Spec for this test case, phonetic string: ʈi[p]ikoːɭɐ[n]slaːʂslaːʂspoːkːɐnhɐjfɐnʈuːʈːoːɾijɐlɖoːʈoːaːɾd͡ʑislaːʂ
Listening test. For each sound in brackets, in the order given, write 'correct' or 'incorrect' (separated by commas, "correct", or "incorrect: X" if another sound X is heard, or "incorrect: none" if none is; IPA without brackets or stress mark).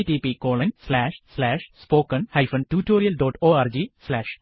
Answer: correct, correct